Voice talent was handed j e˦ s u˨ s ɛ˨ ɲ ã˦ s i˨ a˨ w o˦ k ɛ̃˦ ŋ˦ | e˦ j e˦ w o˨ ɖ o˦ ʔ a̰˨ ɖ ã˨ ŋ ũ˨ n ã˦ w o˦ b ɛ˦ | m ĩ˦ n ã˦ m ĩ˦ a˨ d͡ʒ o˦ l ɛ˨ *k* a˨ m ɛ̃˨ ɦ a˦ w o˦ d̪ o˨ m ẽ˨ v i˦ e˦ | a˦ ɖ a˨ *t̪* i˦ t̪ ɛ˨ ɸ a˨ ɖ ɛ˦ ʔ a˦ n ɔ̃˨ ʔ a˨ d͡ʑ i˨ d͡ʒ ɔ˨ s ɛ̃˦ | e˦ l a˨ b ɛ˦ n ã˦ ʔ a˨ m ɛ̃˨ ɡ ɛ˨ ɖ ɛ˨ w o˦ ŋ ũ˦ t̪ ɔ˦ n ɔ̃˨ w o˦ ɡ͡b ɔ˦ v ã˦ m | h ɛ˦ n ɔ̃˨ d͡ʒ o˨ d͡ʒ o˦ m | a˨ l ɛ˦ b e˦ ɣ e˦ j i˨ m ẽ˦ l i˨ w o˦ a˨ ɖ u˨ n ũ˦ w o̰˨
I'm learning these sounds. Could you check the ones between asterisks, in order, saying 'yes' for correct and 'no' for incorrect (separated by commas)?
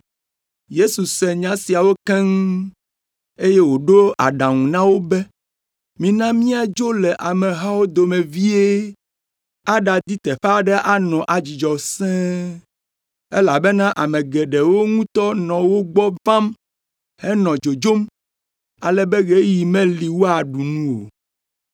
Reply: no, no